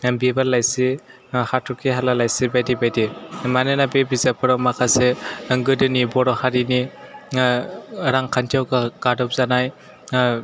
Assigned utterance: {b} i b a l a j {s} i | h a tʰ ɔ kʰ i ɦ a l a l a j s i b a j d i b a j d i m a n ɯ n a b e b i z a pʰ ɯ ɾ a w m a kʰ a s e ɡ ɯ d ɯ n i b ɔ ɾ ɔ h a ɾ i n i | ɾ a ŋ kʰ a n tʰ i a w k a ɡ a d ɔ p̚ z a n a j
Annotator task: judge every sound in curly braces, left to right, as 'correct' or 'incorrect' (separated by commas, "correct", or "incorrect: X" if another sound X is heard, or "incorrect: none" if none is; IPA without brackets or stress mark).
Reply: correct, correct